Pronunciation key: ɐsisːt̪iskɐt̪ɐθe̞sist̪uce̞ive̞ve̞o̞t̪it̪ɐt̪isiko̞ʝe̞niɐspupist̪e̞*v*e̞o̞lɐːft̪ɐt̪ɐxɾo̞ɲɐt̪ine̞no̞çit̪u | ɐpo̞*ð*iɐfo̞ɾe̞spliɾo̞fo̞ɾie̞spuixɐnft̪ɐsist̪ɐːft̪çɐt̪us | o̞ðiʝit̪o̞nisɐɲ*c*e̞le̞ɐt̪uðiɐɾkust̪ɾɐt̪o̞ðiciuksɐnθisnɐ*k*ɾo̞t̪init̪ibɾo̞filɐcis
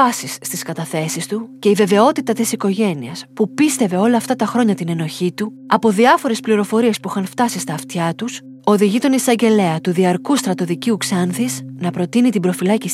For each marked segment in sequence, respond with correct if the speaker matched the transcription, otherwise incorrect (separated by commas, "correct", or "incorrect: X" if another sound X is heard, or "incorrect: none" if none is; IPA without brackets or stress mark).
correct, correct, incorrect: ɟ, incorrect: p